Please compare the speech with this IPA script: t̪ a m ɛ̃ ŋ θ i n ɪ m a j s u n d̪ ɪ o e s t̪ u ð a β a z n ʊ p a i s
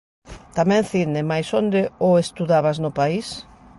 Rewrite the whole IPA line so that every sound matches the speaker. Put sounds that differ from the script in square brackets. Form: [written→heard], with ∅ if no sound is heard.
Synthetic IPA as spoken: t̪ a m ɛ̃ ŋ θ i n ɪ m a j s [u→o] n d̪ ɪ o e s t̪ u ð a β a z n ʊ p a i s